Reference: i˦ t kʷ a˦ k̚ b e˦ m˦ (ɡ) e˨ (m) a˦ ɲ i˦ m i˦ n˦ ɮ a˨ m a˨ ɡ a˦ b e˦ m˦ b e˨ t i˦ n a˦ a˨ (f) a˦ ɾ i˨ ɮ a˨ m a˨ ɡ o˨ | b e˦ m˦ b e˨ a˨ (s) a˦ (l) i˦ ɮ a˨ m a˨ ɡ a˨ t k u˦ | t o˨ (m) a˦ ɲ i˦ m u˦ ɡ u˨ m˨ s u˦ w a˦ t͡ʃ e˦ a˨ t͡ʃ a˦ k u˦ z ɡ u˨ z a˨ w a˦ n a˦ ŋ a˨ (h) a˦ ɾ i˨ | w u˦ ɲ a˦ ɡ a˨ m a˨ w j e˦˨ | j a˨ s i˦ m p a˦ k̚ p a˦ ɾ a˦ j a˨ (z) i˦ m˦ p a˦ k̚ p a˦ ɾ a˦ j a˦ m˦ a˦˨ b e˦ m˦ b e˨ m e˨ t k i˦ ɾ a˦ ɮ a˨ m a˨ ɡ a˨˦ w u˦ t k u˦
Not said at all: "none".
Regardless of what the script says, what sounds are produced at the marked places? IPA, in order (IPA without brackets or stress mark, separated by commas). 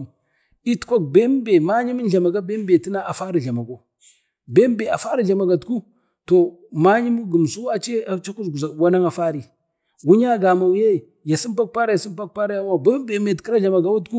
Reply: b, m, f, f, ɾ, m, f, s